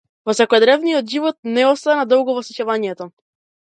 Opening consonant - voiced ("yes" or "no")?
yes